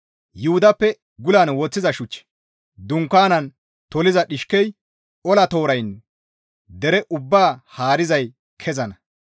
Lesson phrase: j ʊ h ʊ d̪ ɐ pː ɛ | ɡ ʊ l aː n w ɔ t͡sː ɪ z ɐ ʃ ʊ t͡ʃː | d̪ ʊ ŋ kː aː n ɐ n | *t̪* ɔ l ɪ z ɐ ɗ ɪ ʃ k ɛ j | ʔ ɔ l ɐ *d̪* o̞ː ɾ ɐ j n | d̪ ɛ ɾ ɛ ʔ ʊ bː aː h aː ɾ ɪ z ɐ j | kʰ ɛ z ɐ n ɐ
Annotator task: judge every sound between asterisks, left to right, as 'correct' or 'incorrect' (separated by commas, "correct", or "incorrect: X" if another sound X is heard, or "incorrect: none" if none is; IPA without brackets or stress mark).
correct, incorrect: t̪